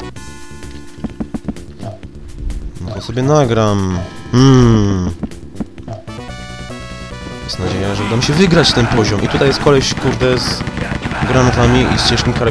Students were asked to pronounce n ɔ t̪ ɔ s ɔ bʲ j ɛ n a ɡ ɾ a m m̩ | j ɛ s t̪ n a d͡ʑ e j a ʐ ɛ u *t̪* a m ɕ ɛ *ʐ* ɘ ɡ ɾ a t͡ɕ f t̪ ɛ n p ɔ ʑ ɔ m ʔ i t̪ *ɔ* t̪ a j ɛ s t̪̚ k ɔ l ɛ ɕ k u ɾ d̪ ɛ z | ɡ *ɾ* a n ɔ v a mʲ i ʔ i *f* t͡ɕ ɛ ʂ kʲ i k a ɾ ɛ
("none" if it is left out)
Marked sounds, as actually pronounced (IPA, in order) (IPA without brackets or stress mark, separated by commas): d̪, v, u, ɾ, s